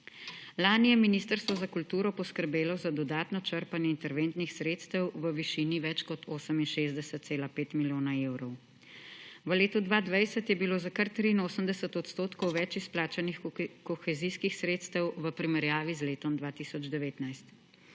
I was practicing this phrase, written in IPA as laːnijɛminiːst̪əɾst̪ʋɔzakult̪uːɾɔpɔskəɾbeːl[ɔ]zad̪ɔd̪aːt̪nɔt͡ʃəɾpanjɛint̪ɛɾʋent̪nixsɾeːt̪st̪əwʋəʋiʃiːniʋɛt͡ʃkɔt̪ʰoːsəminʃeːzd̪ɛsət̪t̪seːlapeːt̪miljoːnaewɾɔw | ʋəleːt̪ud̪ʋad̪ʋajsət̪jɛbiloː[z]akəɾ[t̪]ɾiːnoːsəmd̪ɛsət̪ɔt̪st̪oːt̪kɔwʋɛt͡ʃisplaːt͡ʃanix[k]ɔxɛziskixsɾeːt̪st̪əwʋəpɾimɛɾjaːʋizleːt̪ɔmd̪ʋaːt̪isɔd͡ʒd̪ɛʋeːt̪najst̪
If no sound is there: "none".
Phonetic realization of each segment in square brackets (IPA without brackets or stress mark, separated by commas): ɔ, z, t̪, k